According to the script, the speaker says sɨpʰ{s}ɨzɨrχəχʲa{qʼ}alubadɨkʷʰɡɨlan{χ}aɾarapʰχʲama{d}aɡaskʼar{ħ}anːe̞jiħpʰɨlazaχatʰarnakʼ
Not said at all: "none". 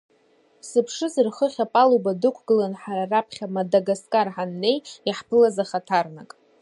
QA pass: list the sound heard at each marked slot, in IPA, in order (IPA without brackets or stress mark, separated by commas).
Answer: ʂ, pʼ, ħ, d, ħ